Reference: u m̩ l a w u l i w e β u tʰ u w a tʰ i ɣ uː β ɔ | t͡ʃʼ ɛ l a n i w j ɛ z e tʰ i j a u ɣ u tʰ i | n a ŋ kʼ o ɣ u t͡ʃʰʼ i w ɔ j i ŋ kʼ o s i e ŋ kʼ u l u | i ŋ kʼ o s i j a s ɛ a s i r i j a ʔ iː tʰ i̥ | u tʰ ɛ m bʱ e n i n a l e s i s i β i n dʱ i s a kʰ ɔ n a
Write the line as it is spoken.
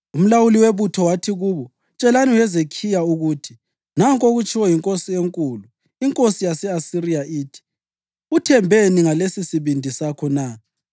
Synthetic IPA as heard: u m̩ l a w u l i w e β u tʰ ɔ w a tʰ i ɣ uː β ɔ | t͡ʃʼ ɛ l a n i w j ɛ z e kʰ i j a u ɣ u tʰ i | n a ŋ kʼ o ɣ u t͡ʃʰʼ i w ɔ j i ŋ kʼ o s i e ŋ kʼ u l u | i ŋ kʼ o s i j a s ɛ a s i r i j a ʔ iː tʰ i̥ | u tʰ ɛ m bʱ e n i ŋ a l e s i s i β i n dʱ i s a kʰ ɔ n a